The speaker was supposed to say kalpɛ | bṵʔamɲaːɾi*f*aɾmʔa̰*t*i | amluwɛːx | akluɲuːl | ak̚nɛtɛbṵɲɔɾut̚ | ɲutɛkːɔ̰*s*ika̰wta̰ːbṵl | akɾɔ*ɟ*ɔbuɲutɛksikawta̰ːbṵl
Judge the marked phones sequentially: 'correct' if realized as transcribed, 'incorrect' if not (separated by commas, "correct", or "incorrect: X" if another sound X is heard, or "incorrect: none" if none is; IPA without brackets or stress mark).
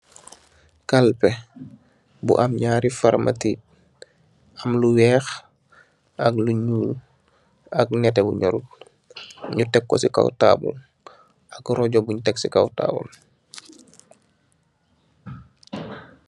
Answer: correct, correct, correct, correct